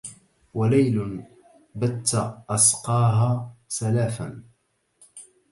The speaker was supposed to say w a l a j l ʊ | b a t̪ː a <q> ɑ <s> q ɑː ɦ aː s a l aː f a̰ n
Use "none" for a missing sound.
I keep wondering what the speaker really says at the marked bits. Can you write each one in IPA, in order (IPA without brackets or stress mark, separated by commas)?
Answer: ʔ, s